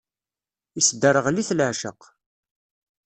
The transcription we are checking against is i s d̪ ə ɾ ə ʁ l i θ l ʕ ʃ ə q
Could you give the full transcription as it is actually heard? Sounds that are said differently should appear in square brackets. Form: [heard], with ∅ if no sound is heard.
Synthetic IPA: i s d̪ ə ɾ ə ʁ l i θ l ʕ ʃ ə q